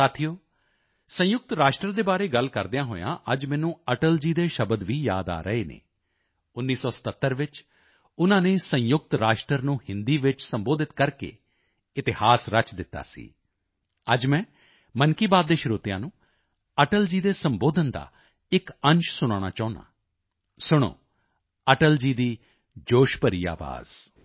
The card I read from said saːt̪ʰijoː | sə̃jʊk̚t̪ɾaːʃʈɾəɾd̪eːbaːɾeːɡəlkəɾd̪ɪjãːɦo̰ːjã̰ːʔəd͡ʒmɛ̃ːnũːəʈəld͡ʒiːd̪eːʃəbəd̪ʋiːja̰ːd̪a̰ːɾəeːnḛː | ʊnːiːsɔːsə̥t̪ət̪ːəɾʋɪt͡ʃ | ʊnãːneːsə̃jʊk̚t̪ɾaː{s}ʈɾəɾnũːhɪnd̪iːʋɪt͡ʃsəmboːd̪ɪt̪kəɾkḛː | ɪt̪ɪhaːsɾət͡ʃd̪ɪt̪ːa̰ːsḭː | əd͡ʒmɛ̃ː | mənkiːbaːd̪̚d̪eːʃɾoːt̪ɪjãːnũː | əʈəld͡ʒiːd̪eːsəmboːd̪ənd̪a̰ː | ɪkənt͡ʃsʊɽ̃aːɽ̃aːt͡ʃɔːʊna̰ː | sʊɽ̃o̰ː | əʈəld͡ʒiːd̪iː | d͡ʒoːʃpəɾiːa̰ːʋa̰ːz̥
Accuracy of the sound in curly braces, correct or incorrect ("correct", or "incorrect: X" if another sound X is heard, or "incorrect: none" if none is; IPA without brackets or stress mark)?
incorrect: ʃ